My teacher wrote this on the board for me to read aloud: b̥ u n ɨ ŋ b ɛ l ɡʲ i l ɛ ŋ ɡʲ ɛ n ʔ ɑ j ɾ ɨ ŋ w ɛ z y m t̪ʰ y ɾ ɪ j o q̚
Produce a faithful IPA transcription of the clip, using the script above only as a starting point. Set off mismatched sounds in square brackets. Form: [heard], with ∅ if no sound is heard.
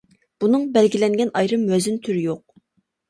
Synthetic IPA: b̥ u n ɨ ŋ b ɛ l ɡʲ i l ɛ ŋ ɡʲ ɛ n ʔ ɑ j ɾ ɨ [m] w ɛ z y [n] t̪ʰ y ɾ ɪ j o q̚